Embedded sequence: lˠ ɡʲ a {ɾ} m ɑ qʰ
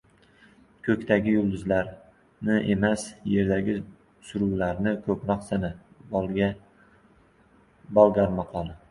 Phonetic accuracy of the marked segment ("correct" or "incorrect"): correct